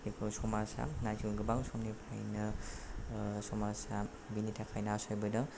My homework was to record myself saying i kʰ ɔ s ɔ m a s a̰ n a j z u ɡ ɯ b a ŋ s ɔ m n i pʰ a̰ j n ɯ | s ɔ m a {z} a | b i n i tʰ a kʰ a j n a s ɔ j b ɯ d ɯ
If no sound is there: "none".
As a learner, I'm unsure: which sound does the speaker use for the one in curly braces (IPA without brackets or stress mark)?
s